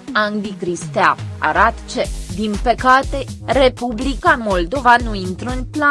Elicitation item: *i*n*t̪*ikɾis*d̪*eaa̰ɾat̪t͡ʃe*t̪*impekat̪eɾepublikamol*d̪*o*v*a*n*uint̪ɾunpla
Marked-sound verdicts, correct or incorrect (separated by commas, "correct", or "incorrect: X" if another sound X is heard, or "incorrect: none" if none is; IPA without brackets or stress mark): incorrect: a, incorrect: d̪, incorrect: t̪, incorrect: d̪, correct, correct, correct